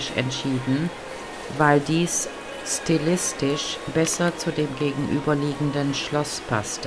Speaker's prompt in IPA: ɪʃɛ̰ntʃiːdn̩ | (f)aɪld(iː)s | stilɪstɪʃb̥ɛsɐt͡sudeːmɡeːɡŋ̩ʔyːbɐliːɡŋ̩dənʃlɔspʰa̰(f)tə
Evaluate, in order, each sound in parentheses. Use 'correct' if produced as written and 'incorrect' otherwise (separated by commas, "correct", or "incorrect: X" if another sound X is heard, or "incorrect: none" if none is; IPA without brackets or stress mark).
incorrect: v, correct, incorrect: s